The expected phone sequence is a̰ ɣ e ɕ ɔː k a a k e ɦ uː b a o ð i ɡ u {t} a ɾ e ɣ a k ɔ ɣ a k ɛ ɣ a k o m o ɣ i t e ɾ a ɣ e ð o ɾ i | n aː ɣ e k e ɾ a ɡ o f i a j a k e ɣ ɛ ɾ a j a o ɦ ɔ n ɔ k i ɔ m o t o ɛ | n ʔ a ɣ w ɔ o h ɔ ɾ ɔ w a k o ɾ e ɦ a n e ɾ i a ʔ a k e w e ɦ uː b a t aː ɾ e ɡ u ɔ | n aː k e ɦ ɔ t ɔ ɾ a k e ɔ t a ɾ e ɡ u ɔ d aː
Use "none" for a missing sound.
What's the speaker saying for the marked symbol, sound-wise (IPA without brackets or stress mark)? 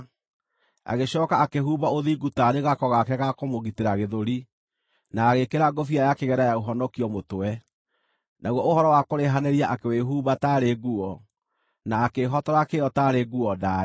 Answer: t